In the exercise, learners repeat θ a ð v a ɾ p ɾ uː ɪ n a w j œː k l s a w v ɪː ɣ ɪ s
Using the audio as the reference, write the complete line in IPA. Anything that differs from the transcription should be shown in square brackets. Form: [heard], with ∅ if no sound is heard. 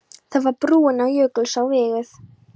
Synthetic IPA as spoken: θ a ð v a ɾ p ɾ uː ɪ n a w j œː k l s a w v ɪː ɣ ɪ [θ]